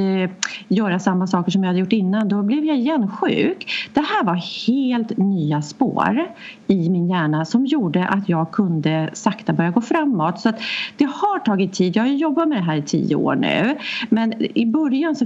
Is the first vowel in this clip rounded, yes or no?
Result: yes